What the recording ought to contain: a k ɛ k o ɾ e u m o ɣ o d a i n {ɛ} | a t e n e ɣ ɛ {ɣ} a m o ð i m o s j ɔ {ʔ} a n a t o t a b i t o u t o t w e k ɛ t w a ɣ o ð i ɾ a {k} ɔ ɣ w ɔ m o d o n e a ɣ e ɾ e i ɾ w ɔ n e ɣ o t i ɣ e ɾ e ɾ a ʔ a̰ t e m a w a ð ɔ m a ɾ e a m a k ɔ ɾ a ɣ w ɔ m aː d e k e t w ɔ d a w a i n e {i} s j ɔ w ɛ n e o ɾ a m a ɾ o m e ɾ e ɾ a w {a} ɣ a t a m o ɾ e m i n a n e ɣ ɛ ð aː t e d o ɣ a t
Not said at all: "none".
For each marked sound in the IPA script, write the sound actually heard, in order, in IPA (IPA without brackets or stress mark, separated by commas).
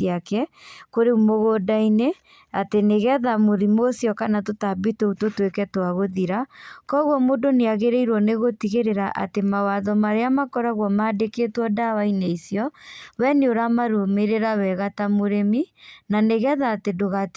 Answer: e, ð, k, k, i, ɛ